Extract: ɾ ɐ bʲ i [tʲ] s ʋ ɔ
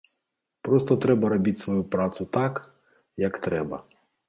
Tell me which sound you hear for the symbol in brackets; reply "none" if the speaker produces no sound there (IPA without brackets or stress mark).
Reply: tʲ